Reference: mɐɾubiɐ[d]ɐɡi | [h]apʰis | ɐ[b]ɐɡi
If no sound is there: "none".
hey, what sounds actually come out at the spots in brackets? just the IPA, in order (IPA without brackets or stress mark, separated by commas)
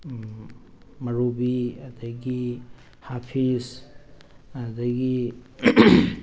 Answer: d, h, d